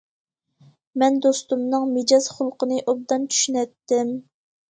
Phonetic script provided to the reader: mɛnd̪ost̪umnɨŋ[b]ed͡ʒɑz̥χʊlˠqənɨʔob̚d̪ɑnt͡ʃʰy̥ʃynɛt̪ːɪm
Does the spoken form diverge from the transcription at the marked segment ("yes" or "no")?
yes